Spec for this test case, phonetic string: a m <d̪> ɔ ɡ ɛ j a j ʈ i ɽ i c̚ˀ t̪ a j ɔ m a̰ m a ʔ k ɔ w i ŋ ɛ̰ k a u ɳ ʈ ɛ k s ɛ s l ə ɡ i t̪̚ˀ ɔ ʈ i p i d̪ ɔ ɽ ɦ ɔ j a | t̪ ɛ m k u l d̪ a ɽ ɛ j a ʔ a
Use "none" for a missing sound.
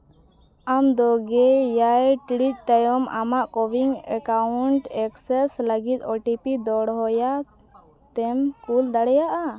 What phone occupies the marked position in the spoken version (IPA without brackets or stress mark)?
d̪